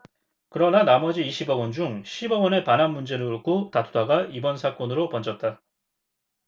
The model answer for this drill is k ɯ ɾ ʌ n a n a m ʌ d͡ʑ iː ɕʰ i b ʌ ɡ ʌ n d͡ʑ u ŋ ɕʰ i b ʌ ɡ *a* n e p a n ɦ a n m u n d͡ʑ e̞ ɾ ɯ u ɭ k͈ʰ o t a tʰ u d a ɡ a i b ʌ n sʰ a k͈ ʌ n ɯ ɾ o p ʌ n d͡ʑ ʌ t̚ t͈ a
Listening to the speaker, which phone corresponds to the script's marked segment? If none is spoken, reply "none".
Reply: ʌ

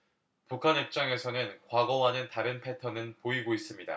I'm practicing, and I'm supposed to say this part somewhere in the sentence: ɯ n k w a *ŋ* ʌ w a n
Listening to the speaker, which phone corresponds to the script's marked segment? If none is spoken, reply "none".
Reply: ɡ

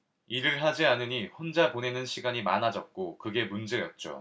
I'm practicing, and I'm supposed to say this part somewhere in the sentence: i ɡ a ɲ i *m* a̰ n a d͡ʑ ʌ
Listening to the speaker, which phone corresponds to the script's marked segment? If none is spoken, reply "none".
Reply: m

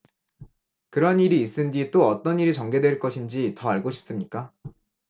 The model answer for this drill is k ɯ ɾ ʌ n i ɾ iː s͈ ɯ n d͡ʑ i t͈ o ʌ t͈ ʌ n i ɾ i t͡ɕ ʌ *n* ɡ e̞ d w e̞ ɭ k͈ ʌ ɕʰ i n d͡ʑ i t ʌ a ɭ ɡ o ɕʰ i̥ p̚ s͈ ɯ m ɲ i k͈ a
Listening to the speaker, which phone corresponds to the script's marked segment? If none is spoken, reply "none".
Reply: ŋ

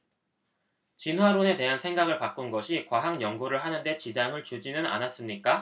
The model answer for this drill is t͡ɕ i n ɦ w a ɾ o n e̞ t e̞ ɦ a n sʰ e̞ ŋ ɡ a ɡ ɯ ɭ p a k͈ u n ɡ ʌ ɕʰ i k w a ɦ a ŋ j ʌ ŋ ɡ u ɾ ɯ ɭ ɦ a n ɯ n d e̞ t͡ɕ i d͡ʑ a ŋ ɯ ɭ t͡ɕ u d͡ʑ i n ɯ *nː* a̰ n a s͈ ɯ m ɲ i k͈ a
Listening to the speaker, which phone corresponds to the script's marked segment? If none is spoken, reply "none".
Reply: n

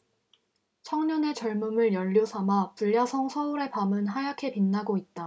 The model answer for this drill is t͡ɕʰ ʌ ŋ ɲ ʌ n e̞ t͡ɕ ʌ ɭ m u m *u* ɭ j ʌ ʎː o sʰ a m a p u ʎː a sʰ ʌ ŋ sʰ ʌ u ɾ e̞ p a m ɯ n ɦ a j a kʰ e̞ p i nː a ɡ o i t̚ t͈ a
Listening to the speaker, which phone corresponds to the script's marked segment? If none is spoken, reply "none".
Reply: ɯ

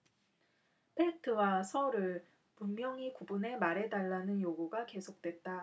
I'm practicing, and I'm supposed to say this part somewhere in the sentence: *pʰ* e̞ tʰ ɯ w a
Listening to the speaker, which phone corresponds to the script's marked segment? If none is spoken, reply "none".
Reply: pʰ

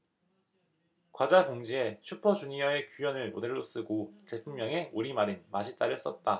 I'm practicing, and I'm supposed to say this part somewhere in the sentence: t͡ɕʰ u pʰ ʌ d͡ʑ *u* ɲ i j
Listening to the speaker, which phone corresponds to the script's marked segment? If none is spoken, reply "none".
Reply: u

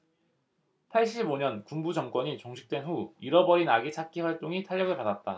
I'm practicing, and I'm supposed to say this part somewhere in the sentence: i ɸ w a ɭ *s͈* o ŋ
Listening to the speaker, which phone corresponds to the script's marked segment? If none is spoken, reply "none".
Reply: t͈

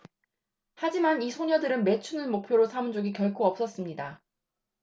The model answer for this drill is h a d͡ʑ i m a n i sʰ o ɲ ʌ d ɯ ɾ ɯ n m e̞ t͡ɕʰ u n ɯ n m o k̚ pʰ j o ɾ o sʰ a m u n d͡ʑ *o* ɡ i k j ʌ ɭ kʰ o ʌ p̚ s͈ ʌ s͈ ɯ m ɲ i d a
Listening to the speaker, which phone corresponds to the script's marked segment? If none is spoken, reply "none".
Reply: o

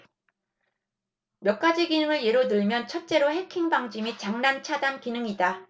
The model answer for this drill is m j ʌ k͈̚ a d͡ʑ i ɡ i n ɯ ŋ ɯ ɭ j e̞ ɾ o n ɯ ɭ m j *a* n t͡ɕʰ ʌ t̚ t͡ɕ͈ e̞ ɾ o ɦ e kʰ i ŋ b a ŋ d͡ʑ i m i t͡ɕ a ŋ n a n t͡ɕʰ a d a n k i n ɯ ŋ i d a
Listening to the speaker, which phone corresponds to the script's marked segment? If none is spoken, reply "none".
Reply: ʌ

